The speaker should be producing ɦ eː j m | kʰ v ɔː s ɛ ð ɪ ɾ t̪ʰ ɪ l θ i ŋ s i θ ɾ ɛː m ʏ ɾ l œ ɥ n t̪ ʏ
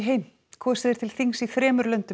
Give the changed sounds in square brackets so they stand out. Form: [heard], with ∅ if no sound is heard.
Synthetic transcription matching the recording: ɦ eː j m | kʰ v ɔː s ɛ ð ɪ ɾ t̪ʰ ɪ l θ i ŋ s i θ ɾ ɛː m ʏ ɾ l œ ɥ n t̪ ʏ